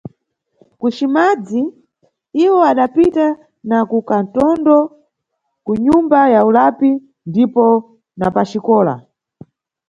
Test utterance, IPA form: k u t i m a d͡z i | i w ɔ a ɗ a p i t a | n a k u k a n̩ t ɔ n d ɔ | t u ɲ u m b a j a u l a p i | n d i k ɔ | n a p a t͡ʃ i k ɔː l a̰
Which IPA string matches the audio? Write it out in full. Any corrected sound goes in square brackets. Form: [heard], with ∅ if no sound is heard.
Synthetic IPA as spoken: k u [t͡ʃ] i m a d͡z i | i w ɔ a ɗ a p i t a | n a k u k a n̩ t ɔ n d ɔ | [k] u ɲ u m b a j a u l a p i | n d i [p] ɔ | n a p a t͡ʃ i k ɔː l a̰